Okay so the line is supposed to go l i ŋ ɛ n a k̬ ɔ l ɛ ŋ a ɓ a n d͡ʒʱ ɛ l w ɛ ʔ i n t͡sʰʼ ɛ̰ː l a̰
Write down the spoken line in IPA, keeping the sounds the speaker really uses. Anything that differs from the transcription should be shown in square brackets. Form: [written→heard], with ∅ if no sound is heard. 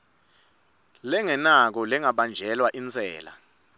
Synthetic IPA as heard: l [i→ɛ] ŋ ɛ n a k̬ ɔ l ɛ ŋ a ɓ a n d͡ʒʱ ɛ l w [ɛ→a] ʔ i n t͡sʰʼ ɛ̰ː l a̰